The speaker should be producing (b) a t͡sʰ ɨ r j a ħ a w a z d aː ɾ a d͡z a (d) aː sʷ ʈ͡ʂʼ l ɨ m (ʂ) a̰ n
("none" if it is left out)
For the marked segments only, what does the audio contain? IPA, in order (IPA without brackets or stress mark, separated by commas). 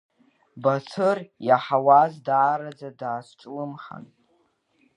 b, d, χ